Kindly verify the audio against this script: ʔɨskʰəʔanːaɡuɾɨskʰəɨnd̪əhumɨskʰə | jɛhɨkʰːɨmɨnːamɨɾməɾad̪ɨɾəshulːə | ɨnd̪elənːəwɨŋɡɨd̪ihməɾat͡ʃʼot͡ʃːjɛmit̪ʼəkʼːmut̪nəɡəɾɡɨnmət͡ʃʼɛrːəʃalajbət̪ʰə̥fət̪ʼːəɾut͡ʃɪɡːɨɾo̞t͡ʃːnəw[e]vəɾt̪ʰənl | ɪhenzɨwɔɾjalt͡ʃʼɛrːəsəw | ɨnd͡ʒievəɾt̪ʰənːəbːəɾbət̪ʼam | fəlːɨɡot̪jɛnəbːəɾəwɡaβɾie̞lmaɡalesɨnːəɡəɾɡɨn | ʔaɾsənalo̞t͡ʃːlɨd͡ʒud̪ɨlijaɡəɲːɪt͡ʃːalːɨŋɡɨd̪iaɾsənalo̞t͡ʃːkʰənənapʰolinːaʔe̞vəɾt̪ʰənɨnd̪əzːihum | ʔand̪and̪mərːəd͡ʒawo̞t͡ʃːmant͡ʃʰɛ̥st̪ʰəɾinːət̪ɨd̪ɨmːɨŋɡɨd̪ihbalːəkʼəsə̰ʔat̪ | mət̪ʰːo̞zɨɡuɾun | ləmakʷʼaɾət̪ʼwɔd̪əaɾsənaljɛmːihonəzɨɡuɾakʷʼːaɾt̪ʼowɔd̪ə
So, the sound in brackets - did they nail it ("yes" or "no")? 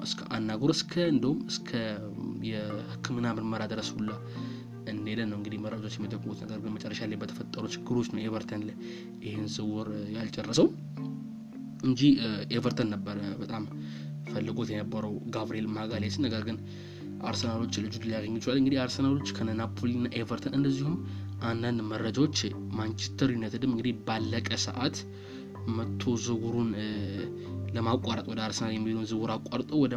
yes